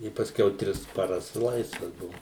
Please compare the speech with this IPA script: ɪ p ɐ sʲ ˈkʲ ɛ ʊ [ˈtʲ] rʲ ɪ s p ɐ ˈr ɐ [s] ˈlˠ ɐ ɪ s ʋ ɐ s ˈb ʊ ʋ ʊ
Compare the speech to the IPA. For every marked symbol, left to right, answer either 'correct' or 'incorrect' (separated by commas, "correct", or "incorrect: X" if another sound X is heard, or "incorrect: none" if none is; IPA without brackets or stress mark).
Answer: correct, correct